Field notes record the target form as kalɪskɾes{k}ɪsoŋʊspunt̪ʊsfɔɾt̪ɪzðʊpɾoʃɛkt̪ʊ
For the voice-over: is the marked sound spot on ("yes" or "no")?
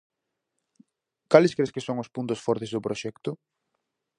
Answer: yes